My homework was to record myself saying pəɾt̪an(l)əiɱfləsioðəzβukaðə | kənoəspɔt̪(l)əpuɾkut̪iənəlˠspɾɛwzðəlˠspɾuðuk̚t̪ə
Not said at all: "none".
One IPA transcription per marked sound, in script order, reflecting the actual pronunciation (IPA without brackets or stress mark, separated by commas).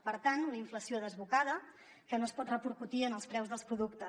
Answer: l, r